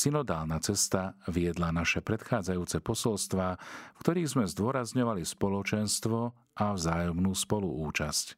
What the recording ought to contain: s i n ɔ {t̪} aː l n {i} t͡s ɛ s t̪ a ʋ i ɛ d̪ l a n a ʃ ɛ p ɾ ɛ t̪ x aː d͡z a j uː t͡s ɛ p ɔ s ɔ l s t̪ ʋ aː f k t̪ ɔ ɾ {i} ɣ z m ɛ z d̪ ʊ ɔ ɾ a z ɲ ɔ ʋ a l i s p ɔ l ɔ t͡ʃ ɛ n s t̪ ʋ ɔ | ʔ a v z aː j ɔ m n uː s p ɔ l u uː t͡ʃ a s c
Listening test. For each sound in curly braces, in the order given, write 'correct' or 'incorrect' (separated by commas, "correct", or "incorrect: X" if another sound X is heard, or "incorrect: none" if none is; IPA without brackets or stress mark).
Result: incorrect: d̪, incorrect: a, incorrect: iː